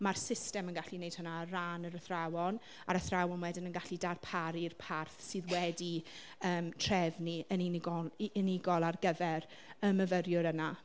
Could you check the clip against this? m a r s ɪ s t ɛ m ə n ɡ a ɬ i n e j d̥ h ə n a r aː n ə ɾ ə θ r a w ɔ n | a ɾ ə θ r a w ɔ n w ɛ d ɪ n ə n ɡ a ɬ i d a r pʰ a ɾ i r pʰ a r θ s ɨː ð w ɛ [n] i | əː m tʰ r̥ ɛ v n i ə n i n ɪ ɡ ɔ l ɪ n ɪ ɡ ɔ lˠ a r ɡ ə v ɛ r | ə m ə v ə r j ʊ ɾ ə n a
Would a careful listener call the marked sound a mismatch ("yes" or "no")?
yes